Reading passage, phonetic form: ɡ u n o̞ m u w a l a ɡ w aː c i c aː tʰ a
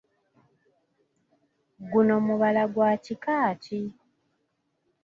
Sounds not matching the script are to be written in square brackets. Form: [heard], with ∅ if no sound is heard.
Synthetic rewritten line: ɡ u n o̞ m u [β] a l a ɡ w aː c i [k] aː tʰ [i]